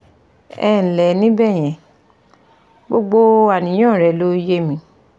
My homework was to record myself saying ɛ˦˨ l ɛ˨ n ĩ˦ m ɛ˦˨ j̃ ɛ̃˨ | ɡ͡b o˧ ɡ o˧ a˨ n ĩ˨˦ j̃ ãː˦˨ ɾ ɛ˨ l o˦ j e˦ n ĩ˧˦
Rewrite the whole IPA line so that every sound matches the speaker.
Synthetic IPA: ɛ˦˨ l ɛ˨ n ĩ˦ b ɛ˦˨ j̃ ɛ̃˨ | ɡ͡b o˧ ɡ͡b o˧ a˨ n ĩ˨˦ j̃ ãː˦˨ ɾ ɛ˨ l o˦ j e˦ m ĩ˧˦